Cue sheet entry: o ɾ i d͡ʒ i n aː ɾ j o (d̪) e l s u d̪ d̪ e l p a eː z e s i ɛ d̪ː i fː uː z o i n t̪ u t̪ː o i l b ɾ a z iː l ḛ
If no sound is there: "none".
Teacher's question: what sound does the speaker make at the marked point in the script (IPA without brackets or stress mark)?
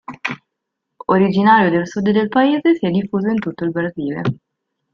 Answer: d̪